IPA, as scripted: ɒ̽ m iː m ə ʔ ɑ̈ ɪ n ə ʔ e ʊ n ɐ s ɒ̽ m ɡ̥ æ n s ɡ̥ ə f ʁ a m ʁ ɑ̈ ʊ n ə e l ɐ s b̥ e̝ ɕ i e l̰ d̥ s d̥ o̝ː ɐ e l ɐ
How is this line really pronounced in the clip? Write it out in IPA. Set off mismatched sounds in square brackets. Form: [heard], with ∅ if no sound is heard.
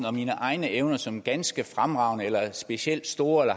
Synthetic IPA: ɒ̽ m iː [n] ə ʔ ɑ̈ ɪ n ə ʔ e ʊ n ɐ s ɒ̽ m ɡ̥ æ n s ɡ̥ ə f ʁ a m ʁ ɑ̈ ʊ n ə e l ɐ s b̥ e̝ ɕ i e l̰ d̥ s d̥ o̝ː ɐ e l ɐ